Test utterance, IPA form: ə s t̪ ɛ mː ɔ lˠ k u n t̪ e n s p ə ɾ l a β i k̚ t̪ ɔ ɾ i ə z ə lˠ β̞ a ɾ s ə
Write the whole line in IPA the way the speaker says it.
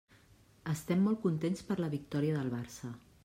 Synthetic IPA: ə s t̪ ɛ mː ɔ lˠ k u n t̪ e n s p ə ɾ l ə β i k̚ t̪ ɔ ɾ i ə ð ə lˠ β̞ a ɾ s ə